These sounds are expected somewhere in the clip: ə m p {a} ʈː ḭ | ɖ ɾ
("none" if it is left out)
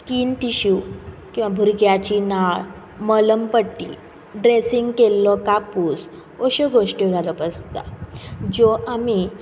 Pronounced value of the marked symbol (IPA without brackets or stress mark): ə